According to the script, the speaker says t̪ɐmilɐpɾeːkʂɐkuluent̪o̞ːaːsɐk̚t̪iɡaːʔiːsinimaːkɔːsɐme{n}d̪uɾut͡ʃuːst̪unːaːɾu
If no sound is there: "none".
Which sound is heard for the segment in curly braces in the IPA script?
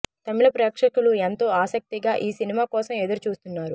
none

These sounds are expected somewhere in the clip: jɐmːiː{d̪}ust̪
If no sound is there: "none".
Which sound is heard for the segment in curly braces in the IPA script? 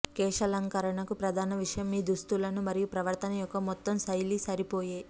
d̪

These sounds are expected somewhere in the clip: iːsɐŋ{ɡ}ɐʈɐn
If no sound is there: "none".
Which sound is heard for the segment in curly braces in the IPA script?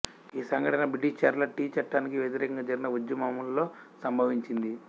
ɡ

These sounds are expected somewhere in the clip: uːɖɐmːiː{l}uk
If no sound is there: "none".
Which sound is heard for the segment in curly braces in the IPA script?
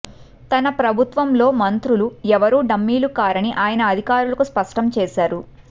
l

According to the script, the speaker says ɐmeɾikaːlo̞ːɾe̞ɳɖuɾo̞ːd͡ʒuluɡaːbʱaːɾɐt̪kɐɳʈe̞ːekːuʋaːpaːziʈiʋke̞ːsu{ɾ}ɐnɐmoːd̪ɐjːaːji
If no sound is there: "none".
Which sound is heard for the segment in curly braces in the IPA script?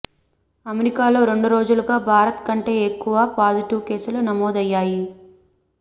l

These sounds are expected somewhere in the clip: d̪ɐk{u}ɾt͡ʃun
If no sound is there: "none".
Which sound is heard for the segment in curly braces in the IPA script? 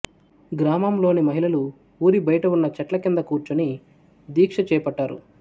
uː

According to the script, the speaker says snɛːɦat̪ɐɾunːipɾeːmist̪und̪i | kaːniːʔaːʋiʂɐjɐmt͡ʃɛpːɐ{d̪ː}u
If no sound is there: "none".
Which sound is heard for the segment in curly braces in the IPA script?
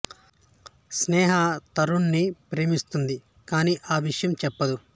d̪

